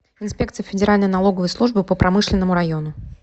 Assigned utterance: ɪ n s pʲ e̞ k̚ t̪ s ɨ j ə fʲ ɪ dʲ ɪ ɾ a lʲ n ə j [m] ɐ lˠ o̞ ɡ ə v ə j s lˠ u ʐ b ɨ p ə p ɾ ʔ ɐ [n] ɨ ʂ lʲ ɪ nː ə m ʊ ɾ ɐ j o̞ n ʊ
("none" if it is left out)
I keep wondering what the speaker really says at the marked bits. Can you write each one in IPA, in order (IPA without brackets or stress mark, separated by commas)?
n, m